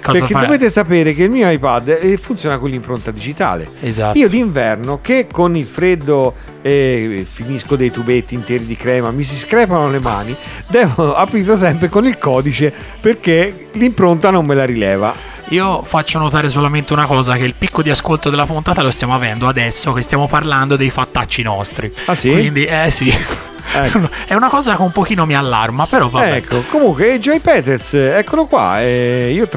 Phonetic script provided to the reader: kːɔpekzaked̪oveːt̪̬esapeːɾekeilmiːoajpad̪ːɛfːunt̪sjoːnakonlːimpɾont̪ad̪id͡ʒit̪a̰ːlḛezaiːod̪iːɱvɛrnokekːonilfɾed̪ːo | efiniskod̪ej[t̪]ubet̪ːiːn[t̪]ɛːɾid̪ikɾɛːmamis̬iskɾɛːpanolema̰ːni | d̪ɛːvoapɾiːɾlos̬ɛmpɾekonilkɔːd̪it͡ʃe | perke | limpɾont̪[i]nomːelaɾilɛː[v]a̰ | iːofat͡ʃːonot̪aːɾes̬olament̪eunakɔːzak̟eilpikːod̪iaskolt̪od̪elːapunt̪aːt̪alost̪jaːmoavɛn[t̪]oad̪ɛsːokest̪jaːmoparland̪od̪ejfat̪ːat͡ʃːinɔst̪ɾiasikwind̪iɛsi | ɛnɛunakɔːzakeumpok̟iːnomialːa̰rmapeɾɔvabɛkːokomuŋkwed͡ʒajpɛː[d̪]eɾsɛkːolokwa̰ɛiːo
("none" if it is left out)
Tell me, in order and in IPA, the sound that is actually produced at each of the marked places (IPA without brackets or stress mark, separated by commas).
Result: t̪, t̪, a, v, d̪, t̪